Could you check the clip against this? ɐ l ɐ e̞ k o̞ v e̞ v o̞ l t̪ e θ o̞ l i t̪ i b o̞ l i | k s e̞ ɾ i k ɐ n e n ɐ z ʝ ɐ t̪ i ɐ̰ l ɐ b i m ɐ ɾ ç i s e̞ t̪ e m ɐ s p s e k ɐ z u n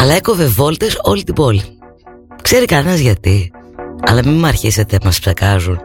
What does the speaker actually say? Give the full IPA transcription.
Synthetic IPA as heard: ɐ l ɐ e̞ k o̞ v e̞ v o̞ l t̪ e s o̞ l i t̪ i b o̞ l i | k s e̞ ɾ i k ɐ n e n ɐ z ʝ ɐ t̪ i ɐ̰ l ɐ m i m ɐ ɾ ç i s e̞ t̪ e m ɐ s p s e k ɐ z u n